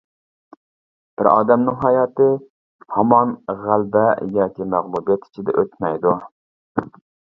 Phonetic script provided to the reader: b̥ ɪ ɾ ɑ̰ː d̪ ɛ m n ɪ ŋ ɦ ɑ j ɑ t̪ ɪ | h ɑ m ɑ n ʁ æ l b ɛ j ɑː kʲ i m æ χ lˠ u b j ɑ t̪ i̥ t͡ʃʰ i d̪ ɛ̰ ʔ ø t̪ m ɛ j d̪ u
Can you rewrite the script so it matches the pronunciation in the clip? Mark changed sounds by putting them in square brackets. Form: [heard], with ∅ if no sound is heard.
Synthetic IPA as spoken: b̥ ɪ ɾ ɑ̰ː d̪ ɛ m n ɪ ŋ ɦ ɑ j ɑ t̪ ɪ | h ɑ m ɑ n ʁ æ l b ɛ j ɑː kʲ i m æ [ʁ] lˠ u b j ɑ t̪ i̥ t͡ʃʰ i d̪ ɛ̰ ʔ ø t̪ m ɛ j d̪ u

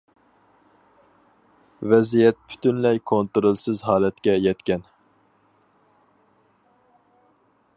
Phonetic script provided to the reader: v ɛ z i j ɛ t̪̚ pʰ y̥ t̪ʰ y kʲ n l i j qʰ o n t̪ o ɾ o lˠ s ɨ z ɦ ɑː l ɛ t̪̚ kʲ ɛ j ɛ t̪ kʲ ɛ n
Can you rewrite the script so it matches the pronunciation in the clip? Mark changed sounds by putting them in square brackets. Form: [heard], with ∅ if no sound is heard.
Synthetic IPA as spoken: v ɛ z i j ɛ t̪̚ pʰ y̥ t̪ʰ y [∅] n l [ɛ] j [kʰ] o n t̪ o ɾ o lˠ s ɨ z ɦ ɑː l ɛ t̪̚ kʲ ɛ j ɛ t̪ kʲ ɛ n

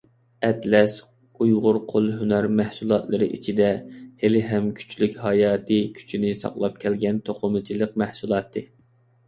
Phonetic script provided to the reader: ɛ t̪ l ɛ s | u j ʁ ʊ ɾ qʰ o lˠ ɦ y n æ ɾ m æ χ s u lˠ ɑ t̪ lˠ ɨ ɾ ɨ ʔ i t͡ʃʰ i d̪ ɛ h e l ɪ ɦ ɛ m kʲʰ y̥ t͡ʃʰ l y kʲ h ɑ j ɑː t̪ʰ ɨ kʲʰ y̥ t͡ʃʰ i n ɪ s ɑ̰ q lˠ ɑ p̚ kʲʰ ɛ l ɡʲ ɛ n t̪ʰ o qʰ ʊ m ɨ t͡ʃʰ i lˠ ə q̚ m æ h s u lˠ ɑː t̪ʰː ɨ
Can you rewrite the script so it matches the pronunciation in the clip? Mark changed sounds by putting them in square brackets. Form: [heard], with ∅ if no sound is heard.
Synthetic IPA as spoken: ɛ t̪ l ɛ s | u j ʁ ʊ ɾ qʰ o lˠ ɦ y n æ ɾ m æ [h] s u lˠ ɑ t̪ lˠ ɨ ɾ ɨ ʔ i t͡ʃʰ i d̪ ɛ h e l ɪ ɦ ɛ m kʲʰ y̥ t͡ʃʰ l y kʲ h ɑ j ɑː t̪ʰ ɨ kʲʰ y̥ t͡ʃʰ i n ɪ s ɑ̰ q lˠ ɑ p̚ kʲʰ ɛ l ɡʲ ɛ n t̪ʰ o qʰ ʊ m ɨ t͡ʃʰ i lˠ ə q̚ m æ h s u lˠ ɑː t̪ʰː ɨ

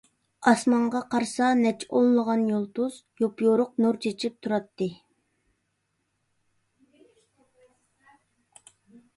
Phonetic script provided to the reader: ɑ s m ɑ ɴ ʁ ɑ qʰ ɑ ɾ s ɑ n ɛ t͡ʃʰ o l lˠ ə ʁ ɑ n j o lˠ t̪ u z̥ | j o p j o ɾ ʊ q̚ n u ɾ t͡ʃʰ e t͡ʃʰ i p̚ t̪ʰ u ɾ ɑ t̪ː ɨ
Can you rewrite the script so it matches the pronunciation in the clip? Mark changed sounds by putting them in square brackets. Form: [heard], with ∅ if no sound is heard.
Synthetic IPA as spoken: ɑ s m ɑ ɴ ʁ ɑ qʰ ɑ ɾ s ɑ n ɛ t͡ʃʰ o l lˠ ə ʁ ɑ n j o lˠ t̪ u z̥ | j o p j o ɾ ʊ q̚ n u ɾ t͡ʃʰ e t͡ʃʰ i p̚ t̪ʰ u ɾ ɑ t̪ː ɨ

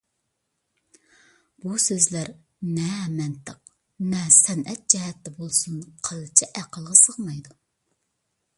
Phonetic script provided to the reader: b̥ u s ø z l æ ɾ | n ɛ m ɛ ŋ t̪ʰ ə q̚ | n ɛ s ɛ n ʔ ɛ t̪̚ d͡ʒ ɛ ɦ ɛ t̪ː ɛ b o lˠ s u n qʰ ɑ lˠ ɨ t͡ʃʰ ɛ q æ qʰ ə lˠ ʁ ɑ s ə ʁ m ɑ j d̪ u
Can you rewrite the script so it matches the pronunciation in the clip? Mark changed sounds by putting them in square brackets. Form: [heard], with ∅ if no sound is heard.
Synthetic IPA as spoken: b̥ u s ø z l æ ɾ | n ɛ m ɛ [n] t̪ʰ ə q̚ | n ɛ s ɛ n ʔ ɛ t̪̚ d͡ʒ ɛ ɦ ɛ t̪ː ɛ b o lˠ s u n qʰ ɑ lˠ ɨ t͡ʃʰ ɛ [ʔ] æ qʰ ə lˠ ʁ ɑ s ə ʁ m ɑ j d̪ u

